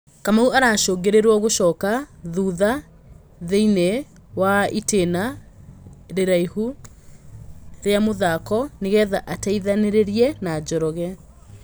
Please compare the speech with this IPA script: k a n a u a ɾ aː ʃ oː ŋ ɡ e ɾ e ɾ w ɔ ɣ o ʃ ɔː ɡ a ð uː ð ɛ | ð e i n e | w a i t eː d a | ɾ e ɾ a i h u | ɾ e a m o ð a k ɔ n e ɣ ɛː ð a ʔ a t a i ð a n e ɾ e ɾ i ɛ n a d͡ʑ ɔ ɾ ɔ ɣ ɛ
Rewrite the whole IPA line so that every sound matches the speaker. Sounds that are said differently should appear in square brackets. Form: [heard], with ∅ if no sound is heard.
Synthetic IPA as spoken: k a [m] a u a ɾ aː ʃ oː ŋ ɡ e ɾ e ɾ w ɔ ɣ o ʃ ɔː [k] a ð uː ð [a] | ð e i n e | w a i t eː [n] a | ɾ e ɾ a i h u | ɾ e a m o ð a k ɔ n e ɣ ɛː ð a ʔ a t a i ð a n e ɾ e ɾ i ɛ n a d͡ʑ ɔ ɾ ɔ ɣ ɛ